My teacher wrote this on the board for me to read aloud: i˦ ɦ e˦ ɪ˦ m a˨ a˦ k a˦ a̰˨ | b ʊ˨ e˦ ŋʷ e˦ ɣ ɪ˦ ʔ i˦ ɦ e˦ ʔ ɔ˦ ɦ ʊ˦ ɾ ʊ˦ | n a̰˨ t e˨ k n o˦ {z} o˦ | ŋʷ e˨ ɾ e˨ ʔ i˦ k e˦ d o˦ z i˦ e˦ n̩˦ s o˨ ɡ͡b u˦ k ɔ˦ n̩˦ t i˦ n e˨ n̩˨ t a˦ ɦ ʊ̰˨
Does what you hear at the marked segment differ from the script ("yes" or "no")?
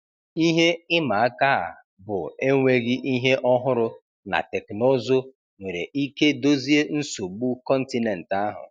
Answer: no